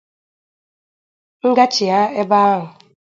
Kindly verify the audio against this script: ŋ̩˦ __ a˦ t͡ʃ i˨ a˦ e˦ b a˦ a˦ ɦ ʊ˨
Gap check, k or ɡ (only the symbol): ɡ